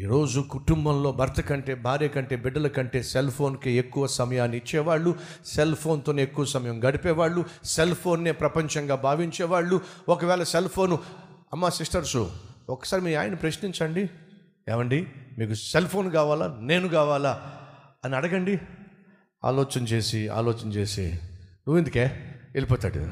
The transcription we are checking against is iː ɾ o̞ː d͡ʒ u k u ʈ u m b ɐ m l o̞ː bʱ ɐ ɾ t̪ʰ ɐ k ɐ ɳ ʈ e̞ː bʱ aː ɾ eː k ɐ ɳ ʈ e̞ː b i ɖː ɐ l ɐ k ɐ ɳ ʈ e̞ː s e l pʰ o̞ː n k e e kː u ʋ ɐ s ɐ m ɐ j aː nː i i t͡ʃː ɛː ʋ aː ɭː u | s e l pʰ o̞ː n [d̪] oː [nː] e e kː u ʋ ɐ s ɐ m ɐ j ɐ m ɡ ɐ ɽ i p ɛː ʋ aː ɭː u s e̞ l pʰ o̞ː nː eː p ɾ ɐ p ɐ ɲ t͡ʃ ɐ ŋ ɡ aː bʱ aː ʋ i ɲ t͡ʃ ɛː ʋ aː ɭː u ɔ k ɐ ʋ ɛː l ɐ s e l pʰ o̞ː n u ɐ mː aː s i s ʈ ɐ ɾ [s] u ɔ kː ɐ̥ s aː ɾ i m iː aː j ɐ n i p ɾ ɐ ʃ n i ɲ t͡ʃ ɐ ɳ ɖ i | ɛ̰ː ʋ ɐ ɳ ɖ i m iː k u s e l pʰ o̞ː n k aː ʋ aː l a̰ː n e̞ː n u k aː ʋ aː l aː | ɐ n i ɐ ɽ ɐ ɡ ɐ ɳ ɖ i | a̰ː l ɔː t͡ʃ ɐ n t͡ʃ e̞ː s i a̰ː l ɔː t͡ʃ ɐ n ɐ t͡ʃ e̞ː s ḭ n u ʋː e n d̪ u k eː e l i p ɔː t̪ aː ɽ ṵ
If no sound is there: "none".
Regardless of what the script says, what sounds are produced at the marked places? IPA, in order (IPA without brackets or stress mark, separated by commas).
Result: t̪, n, s